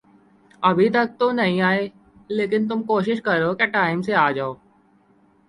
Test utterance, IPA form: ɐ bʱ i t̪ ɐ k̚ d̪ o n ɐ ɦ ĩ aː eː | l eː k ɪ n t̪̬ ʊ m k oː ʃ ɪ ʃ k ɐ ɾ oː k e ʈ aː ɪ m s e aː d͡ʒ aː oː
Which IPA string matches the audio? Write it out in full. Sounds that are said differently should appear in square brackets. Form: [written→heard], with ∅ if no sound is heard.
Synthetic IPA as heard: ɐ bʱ i t̪ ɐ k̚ [d̪→t̪] o n ɐ ɦ ĩ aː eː | l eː k ɪ n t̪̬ ʊ m k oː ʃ ɪ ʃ k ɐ ɾ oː k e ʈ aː ɪ m s e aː d͡ʒ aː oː